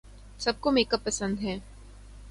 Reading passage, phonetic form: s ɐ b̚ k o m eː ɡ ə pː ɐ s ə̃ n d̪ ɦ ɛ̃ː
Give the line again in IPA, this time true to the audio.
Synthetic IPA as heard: s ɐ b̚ k o m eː k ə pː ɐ s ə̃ n d̪ ɦ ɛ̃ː